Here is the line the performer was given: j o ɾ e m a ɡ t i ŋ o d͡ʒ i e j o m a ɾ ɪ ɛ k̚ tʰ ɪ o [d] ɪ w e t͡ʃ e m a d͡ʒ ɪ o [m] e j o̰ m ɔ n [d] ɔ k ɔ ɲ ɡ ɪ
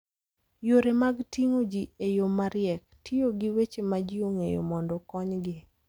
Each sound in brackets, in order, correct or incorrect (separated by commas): incorrect, incorrect, correct